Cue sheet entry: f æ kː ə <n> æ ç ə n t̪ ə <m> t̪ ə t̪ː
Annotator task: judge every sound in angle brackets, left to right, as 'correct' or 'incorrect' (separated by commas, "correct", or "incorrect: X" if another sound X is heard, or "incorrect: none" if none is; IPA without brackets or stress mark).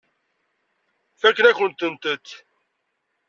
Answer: correct, incorrect: n